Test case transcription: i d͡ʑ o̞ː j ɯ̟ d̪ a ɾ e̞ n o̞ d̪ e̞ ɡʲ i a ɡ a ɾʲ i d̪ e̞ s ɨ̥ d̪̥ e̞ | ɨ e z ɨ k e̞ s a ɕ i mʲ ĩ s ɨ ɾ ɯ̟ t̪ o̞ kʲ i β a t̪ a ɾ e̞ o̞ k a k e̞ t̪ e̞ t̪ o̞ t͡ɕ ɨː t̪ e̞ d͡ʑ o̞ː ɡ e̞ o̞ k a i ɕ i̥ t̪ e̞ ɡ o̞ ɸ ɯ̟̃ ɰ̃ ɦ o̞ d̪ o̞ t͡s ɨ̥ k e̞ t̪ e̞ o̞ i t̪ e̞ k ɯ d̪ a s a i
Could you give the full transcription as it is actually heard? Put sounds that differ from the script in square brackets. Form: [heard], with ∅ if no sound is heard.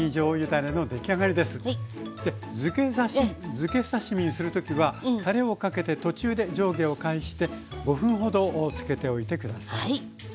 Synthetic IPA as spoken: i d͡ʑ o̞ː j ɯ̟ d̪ a ɾ e̞ n o̞ d̪ e̞ [kʲ] i a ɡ a ɾʲ i d̪ e̞ s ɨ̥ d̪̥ e̞ | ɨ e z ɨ k e̞ s a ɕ i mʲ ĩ s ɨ ɾ ɯ̟ t̪ o̞ kʲ i β a t̪ a ɾ e̞ o̞ k a k e̞ t̪ e̞ t̪ o̞ t͡ɕ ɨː [d̪] e̞ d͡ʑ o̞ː ɡ e̞ o̞ k a i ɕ i̥ t̪ e̞ ɡ o̞ ɸ ɯ̟̃ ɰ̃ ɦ o̞ d̪ o̞ t͡s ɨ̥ k e̞ t̪ e̞ o̞ i t̪ e̞ k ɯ d̪ a s a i